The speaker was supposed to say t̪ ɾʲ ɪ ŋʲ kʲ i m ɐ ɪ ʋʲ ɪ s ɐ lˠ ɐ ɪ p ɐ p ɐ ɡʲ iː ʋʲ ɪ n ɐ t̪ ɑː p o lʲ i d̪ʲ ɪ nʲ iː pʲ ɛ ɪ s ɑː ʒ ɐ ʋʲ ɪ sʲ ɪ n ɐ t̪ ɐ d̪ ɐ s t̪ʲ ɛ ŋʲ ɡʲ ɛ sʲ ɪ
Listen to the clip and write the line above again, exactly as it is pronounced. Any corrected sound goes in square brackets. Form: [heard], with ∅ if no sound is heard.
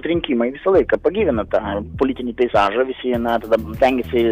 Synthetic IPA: t̪ ɾʲ ɪ ŋʲ kʲ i m ɐ ɪ ʋʲ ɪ s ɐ lˠ ɐ ɪ [k] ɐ p ɐ ɡʲ iː ʋʲ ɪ n ɐ t̪ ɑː p o lʲ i [t̪ʲ] ɪ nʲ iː pʲ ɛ ɪ s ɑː ʒ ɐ ʋʲ ɪ sʲ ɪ n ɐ t̪ ɐ d̪ ɐ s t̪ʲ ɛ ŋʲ ɡʲ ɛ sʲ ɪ

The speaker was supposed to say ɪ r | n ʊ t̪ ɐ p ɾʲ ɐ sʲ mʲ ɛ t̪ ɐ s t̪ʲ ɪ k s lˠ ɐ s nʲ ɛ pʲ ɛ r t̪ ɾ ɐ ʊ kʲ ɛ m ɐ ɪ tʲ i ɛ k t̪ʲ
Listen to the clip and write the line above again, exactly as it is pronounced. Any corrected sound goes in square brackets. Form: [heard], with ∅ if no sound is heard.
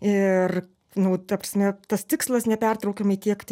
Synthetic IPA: ɪ r | n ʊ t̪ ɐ p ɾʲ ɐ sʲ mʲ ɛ t̪ ɐ s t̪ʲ ɪ k s lˠ ɐ s nʲ ɛ pʲ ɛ r t̪ ɾ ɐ ʊ kʲ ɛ m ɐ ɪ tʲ i ɛ k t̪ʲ

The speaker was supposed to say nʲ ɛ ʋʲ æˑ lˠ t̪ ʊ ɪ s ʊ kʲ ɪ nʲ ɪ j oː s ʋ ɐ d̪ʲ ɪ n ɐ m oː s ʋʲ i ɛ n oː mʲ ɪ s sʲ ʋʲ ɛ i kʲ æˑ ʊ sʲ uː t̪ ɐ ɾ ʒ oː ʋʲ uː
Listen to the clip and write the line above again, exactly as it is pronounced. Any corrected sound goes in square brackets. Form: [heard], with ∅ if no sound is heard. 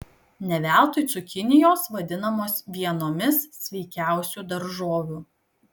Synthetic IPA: nʲ ɛ ʋʲ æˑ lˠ t̪ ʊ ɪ s ʊ kʲ ɪ nʲ ɪ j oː s ʋ ɐ d̪ʲ ɪ n ɐ m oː s ʋʲ i ɛ n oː mʲ ɪ s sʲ ʋʲ ɛ [ɪ] kʲ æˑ ʊ sʲ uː [d̪] ɐ ɾ ʒ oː ʋʲ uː

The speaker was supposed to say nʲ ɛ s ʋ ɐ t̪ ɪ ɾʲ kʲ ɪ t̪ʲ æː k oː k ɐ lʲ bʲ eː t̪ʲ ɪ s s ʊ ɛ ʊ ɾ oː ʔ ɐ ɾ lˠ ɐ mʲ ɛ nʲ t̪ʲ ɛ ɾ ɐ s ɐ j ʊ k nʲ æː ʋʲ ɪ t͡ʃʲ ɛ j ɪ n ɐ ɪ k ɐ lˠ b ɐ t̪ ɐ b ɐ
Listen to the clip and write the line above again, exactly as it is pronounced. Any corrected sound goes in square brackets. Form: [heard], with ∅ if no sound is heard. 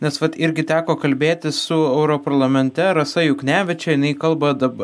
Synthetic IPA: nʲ ɛ s ʋ ɐ t̪ ɪ ɾʲ [ɡʲ] ɪ t̪ʲ æː k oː k ɐ lʲ bʲ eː t̪ʲ ɪ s s ʊ ɛ ʊ ɾ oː [p] ɐ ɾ lˠ ɐ mʲ ɛ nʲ t̪ʲ ɛ ɾ ɐ s ɐ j ʊ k nʲ æː ʋʲ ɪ t͡ʃʲ ɛ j ɪ n ɐ ɪ k ɐ lˠ b ɐ [d̪] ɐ b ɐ

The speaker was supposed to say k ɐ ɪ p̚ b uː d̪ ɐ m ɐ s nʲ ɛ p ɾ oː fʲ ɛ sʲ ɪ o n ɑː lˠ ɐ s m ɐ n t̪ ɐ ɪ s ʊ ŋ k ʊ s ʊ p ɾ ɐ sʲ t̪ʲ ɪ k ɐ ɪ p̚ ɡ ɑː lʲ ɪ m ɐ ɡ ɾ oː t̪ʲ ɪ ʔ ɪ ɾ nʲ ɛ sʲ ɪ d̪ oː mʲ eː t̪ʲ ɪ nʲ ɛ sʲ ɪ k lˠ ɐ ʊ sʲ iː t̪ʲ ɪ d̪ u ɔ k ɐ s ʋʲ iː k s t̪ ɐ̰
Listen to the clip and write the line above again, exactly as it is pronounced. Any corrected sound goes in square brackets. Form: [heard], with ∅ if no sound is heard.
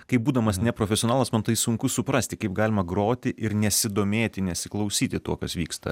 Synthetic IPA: k ɐ ɪ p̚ b uː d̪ ɐ m ɐ s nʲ ɛ p ɾ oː fʲ ɛ sʲ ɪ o n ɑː lˠ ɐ s m ɐ n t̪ ɐ ɪ s ʊ ŋ k ʊ s ʊ p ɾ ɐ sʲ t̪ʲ ɪ k ɐ ɪ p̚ ɡ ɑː lʲ ɪ m ɐ ɡ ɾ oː t̪ʲ ɪ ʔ ɪ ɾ nʲ ɛ sʲ ɪ d̪ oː mʲ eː t̪ʲ ɪ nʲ ɛ sʲ ɪ k lˠ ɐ ʊ sʲ iː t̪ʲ ɪ [t̪] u ɔ k ɐ s ʋʲ iː k s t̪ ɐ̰

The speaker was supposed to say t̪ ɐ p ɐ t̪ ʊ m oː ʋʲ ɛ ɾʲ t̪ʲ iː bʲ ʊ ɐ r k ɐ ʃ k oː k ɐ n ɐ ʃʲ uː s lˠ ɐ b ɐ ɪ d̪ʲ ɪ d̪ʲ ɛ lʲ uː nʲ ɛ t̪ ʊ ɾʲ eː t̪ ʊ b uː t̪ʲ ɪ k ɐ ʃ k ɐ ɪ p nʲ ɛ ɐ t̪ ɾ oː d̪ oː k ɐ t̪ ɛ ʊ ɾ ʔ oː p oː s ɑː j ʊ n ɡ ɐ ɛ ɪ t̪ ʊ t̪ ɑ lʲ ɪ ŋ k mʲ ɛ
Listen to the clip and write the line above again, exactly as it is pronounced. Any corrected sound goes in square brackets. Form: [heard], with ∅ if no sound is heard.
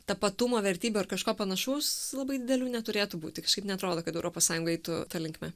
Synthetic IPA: t̪ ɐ p ɐ t̪ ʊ m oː ʋʲ ɛ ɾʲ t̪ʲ iː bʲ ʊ ɐ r k ɐ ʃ k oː [p] ɐ n ɐ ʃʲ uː s lˠ ɐ b ɐ ɪ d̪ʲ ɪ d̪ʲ ɛ lʲ uː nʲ ɛ t̪ ʊ ɾʲ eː t̪ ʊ b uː t̪ʲ ɪ k ɐ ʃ k ɐ ɪ p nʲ ɛ ɐ t̪ ɾ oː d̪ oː k ɐ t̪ ɛ ʊ ɾ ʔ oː p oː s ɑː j ʊ [ŋ] ɡ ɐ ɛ ɪ t̪ ʊ t̪ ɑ lʲ ɪ ŋ k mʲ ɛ

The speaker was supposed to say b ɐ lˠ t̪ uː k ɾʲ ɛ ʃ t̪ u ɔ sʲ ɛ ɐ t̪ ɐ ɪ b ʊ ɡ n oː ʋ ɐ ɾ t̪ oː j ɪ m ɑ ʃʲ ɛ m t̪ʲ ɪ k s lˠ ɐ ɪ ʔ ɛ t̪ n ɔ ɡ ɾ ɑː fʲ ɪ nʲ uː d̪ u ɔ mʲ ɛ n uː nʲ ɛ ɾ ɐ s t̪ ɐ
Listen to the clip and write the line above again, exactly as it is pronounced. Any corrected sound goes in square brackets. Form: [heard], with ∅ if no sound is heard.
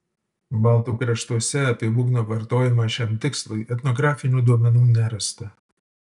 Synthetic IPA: b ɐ lˠ t̪ uː k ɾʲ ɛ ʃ t̪ u ɔ sʲ ɛ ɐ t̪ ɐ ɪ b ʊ ɡ n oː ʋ ɐ ɾ t̪ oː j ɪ m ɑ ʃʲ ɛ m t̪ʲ ɪ k s lˠ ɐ ɪ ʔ ɛ t̪ n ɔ ɡ ɾ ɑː fʲ ɪ nʲ uː d̪ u ɔ mʲ ɛ n uː nʲ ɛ ɾ ɐ s t̪ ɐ

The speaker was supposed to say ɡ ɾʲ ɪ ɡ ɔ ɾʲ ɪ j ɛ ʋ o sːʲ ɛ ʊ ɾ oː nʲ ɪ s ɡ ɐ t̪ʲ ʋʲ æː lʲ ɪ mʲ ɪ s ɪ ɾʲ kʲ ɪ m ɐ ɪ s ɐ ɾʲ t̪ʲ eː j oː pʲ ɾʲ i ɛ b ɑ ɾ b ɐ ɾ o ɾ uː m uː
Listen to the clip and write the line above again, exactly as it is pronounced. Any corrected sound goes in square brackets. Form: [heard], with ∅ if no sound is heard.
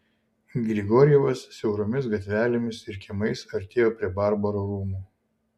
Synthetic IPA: ɡ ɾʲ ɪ ɡ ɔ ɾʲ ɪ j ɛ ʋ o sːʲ ɛ ʊ ɾ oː [mʲ] ɪ s ɡ ɐ t̪ʲ ʋʲ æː lʲ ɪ mʲ ɪ s ɪ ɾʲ kʲ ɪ m ɐ ɪ s ɐ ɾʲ t̪ʲ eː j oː pʲ ɾʲ i ɛ b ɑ ɾ b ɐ ɾ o ɾ uː m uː

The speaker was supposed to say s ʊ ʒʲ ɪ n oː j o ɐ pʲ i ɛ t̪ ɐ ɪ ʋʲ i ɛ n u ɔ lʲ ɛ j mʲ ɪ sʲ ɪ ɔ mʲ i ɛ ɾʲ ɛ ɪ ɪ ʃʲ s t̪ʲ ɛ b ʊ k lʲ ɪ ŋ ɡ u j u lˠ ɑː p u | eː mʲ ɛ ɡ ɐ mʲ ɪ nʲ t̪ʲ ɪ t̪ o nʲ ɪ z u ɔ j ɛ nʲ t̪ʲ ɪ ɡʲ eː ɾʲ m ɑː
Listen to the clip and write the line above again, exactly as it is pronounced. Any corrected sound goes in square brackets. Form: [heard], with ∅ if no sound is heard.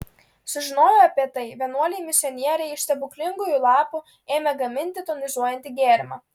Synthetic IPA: s ʊ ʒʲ ɪ n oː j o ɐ pʲ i ɛ t̪ ɐ ɪ ʋʲ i ɛ n u ɔ lʲ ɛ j mʲ ɪ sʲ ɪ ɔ [nʲ] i ɛ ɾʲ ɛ ɪ ɪ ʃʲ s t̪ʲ ɛ b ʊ k lʲ ɪ ŋ ɡ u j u lˠ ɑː p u | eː mʲ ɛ ɡ ɐ mʲ ɪ nʲ t̪ʲ ɪ t̪ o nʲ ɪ z u ɔ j ɛ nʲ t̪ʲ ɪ ɡʲ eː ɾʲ m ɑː

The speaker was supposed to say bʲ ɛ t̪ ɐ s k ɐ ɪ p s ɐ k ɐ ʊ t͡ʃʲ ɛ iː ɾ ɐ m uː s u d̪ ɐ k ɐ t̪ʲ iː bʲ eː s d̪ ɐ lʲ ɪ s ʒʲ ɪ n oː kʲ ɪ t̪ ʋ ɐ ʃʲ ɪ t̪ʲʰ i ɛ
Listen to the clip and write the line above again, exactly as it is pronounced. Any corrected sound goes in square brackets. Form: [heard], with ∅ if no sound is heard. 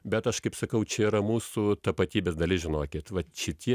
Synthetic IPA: bʲ ɛ t̪ ɐ [ʃ] k ɐ ɪ p s ɐ k ɐ ʊ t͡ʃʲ ɛ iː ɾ ɐ m uː s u [t̪] ɐ [p] ɐ t̪ʲ iː bʲ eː s d̪ ɐ lʲ ɪ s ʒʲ ɪ n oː kʲ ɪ t̪ ʋ ɐ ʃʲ ɪ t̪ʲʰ i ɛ

